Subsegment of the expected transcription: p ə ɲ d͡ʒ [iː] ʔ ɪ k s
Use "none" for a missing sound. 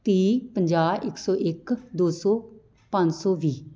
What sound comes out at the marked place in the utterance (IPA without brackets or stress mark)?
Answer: aː